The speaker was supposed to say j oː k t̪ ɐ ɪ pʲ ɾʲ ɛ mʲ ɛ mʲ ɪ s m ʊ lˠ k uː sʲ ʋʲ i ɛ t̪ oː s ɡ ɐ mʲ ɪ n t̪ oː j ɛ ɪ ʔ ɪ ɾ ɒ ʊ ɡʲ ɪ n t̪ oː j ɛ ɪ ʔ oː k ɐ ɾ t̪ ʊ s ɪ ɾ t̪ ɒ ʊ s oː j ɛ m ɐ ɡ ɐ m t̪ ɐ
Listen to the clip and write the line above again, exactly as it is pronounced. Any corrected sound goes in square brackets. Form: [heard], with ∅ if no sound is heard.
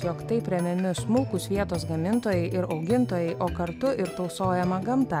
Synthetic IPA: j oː k t̪ ɐ ɪ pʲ ɾʲ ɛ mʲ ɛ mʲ ɪ s m ʊ lˠ k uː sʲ ʋʲ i ɛ t̪ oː s ɡ ɐ mʲ ɪ n t̪ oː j ɛ ɪ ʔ ɪ ɾ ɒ ʊ ɡʲ ɪ n t̪ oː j ɛ ɪ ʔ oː k ɐ ɾ t̪ ʊ [∅] ɪ ɾ t̪ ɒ ʊ s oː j ɛ m ɐ ɡ ɐ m t̪ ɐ

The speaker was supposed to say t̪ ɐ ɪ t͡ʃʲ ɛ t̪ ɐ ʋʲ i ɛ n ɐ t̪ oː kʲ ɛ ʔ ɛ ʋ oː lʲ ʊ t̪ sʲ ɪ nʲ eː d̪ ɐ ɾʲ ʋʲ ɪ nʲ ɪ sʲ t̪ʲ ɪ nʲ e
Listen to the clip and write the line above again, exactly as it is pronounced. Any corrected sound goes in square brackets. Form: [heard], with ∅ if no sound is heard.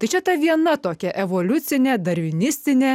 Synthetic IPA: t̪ ɐ ɪ t͡ʃʲ ɛ t̪ ɐ ʋʲ i ɛ n ɐ t̪ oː kʲ ɛ ʔ ɛ ʋ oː lʲ ʊ t̪ sʲ ɪ nʲ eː d̪ ɐ ɾʲ ʋʲ ɪ nʲ ɪ sʲ t̪ʲ ɪ nʲ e

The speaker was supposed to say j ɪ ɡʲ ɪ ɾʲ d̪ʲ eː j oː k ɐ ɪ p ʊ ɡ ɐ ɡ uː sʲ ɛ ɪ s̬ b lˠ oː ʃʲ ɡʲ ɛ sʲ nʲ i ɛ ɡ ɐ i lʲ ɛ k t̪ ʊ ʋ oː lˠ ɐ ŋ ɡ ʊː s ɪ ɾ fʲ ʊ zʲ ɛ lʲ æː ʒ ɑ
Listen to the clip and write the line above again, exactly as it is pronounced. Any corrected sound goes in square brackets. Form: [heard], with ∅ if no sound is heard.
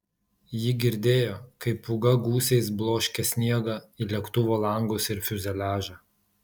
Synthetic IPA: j ɪ ɡʲ ɪ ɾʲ d̪ʲ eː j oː k ɐ ɪ p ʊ ɡ ɐ ɡ uː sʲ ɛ ɪ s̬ b lˠ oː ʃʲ [kʲ] ɛ sʲ nʲ i ɛ ɡ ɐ i lʲ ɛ k t̪ ʊ ʋ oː lˠ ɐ ŋ ɡ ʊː s ɪ ɾ fʲ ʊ zʲ ɛ lʲ æː ʒ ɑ

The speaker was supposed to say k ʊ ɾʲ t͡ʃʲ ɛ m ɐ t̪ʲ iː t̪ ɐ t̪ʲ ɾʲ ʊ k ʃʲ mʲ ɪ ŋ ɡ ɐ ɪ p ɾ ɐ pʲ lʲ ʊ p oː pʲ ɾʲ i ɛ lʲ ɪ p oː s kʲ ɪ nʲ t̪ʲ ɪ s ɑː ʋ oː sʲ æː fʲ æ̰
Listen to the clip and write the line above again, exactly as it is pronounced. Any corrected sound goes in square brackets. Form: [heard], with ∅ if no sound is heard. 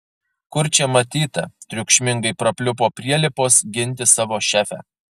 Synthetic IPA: k ʊ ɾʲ t͡ʃʲ ɛ m ɐ t̪ʲ iː t̪ ɐ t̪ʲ ɾʲ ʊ k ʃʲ mʲ ɪ ŋ ɡ ɐ ɪ p ɾ ɐ pʲ lʲ ʊ p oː pʲ ɾʲ i ɛ lʲ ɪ p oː s [ɡʲ] ɪ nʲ t̪ʲ ɪ s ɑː ʋ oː [ʃʲ] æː fʲ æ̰

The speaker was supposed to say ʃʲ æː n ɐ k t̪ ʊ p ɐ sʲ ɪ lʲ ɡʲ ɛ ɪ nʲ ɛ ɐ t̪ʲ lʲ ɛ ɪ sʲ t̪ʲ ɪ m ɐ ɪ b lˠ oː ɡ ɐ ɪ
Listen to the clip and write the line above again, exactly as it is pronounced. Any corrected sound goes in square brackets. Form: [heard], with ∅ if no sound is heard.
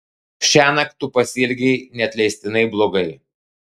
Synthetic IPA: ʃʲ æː n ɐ k t̪ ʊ p ɐ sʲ ɪ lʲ ɡʲ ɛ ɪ nʲ ɛ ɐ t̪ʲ lʲ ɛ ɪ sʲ t̪ʲ ɪ [n] ɐ ɪ b lˠ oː ɡ ɐ ɪ

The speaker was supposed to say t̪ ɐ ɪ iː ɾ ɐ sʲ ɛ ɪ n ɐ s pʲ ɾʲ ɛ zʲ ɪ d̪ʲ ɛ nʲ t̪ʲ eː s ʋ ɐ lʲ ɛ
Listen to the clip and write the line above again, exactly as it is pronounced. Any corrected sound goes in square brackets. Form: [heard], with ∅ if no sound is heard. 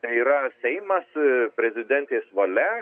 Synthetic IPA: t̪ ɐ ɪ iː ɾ ɐ sʲ ɛ ɪ [m] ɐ s pʲ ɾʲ ɛ zʲ ɪ d̪ʲ ɛ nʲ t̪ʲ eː s ʋ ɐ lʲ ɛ

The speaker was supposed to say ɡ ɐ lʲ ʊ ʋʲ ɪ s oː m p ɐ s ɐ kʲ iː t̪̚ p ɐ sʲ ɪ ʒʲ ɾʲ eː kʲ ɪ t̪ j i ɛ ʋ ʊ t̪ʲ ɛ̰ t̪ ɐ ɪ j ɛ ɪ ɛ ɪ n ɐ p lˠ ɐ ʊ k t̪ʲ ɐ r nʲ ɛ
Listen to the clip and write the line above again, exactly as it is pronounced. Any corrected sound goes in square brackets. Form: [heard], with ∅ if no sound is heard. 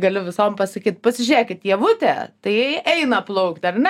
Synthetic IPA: ɡ ɐ lʲ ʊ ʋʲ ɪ s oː m p ɐ s ɐ kʲ iː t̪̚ p ɐ sʲ ɪ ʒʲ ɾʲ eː kʲ ɪ t̪ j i ɛ ʋ ʊ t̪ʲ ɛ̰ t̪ ɐ ɪ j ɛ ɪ ɛ ɪ n ɐ p lˠ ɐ ʊ k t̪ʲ ɐ r nʲ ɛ

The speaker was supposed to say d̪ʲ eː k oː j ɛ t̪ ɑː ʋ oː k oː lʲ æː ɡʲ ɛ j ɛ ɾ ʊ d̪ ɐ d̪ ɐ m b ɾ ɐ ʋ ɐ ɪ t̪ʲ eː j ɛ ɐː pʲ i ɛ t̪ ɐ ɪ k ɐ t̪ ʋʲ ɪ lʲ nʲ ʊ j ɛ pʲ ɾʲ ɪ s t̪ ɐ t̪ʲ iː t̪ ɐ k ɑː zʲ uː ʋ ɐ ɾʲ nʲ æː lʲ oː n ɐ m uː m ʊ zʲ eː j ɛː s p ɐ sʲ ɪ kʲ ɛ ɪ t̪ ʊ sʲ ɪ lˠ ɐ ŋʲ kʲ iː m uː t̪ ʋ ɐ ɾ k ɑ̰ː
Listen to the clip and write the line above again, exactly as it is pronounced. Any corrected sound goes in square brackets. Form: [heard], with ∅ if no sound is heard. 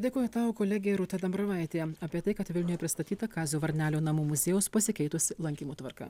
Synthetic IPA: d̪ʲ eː k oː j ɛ t̪ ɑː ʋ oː k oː lʲ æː ɡʲ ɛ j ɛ ɾ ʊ [t̪] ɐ d̪ ɐ m b ɾ ɐ ʋ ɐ ɪ t̪ʲ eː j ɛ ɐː pʲ i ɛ t̪ ɐ ɪ k ɐ t̪ ʋʲ ɪ lʲ nʲ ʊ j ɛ pʲ ɾʲ ɪ s t̪ ɐ t̪ʲ iː t̪ ɐ k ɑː zʲ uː ʋ ɐ ɾʲ nʲ æː lʲ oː n ɐ m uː m ʊ zʲ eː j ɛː s p ɐ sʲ ɪ kʲ ɛ ɪ t̪ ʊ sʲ ɪ lˠ ɐ ŋʲ kʲ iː m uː t̪ ʋ ɐ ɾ k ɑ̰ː

